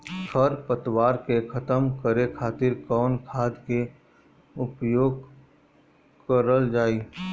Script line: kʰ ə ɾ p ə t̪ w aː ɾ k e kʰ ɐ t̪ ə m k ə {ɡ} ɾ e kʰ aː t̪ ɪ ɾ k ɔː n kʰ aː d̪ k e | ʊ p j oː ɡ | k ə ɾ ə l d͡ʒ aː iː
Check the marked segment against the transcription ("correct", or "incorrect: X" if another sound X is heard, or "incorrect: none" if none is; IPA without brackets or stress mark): incorrect: none